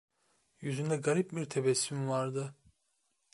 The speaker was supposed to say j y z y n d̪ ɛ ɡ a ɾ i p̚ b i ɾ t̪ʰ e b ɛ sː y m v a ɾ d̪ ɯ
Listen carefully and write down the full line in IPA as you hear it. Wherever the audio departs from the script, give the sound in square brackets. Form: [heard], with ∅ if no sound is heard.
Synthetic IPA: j y z y n d̪ ɛ ɡ a ɾ i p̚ b i ɾ t̪ʰ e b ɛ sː y m v a ɾ d̪ ɯ